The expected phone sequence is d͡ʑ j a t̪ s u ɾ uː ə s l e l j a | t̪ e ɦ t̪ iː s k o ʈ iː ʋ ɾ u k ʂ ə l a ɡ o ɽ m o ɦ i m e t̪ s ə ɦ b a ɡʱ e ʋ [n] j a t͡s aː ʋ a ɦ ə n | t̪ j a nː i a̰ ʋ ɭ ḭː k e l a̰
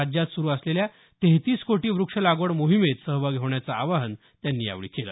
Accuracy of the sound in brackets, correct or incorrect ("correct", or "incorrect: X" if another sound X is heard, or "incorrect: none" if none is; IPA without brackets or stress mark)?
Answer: incorrect: ɳ